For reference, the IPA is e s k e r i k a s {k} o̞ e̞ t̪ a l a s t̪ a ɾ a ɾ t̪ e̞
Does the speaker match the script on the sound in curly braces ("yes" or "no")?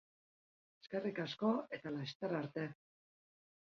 yes